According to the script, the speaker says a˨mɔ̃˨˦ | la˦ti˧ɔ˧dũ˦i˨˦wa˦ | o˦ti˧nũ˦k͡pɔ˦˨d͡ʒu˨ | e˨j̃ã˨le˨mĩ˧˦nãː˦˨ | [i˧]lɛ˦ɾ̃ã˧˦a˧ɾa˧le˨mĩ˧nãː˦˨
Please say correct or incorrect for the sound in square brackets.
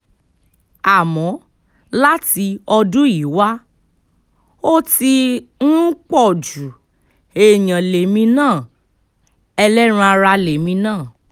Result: incorrect